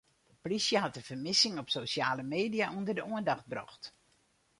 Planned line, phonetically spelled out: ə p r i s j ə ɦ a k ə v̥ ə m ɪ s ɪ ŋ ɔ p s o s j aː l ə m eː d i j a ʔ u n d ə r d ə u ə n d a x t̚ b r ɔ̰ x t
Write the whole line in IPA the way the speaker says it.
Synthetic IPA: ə p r i s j ə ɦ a t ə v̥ ə m ɪ s ɪ ŋ ɔ p s o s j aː l ə m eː d i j a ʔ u n d ə r d ə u ə n d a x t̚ b r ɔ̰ x t